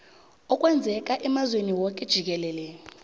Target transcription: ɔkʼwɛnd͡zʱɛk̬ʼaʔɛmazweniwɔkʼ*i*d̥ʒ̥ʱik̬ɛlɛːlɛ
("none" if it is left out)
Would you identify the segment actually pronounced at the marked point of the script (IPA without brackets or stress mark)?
ɛ